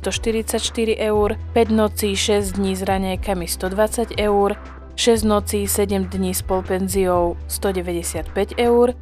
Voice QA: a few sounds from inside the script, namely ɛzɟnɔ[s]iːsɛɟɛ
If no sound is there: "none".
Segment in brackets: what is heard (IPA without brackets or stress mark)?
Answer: t͡s